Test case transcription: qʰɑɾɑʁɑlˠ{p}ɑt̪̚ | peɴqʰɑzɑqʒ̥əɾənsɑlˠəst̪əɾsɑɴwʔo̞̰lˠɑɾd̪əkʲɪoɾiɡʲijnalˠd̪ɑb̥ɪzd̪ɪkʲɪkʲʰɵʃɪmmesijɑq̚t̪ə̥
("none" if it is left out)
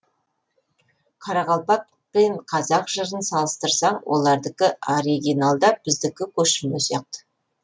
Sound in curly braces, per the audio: p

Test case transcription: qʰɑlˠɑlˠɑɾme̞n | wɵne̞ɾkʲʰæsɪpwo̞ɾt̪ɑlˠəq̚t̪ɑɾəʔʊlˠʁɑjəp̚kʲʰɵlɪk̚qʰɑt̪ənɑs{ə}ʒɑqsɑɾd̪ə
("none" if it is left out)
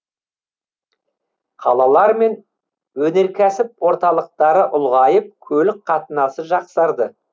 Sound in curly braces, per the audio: ə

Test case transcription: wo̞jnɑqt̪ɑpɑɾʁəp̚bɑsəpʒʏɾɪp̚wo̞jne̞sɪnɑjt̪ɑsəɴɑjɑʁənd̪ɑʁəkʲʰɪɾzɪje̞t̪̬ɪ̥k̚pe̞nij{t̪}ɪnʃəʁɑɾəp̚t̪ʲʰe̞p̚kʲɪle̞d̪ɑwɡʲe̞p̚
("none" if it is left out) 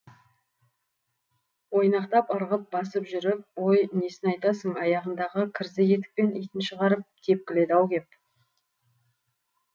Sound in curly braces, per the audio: t̪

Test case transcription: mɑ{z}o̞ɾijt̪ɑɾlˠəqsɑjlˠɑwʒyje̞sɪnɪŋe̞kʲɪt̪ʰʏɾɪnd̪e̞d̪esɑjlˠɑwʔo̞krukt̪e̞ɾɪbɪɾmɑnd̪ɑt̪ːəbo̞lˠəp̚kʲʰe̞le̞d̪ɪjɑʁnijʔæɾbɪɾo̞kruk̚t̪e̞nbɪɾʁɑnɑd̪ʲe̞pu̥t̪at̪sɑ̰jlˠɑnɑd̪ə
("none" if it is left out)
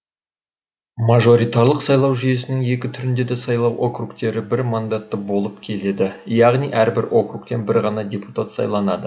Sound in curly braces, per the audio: ʒ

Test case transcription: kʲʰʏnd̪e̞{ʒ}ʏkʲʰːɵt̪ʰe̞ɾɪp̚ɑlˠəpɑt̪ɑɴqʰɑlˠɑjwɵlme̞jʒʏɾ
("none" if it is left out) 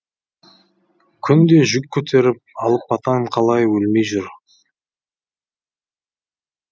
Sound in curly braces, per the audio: ʒ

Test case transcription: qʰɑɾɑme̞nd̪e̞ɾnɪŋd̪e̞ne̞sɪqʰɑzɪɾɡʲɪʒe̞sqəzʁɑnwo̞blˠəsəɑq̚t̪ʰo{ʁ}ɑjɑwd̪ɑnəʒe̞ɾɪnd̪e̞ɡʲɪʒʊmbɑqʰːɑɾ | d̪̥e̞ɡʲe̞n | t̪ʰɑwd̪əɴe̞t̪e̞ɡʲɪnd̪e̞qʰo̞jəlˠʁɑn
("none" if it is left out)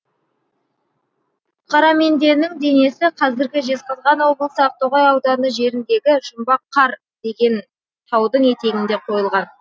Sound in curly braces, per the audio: ʁ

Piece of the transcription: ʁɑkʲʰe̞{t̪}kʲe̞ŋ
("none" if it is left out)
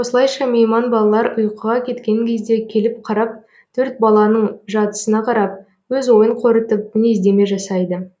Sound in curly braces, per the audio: t̪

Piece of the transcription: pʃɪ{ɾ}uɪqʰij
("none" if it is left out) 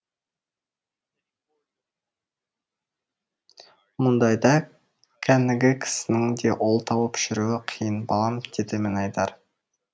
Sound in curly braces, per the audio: ɾ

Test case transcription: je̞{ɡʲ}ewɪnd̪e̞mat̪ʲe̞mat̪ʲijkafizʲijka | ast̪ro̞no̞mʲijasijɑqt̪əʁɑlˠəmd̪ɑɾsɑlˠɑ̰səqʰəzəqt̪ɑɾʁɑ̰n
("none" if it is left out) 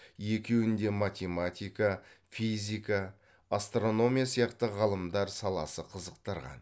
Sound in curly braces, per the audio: kʲ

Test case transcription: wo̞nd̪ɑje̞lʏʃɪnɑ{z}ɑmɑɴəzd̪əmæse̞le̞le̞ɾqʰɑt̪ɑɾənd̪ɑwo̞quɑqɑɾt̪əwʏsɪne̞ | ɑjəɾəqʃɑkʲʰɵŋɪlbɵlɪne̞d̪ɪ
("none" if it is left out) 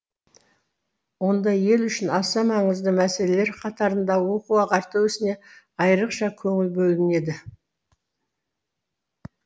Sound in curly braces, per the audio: s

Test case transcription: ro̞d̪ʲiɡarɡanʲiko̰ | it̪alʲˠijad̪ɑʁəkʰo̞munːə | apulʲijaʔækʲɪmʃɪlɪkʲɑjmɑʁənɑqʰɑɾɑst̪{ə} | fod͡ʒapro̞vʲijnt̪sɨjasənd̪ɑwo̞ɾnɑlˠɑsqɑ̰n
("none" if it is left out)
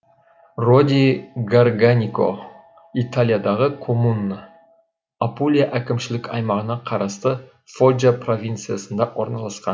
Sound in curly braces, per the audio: ə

